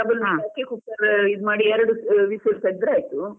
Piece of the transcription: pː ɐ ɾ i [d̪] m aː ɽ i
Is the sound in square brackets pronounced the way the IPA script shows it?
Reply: yes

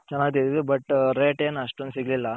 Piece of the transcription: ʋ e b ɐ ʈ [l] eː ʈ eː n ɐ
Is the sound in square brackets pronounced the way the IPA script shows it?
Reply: no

